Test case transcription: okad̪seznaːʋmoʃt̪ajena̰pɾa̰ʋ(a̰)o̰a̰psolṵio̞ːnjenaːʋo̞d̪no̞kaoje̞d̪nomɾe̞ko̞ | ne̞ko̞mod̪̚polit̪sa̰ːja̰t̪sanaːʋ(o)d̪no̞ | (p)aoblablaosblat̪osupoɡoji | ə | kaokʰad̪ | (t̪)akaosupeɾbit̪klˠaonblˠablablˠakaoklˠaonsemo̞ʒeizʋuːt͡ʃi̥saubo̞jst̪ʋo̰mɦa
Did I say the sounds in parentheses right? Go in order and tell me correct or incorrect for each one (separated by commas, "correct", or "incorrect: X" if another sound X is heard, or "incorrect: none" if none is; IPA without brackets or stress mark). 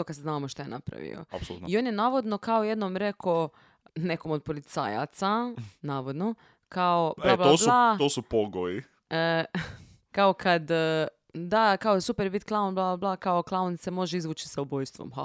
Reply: incorrect: ḭ, correct, incorrect: k, incorrect: d̪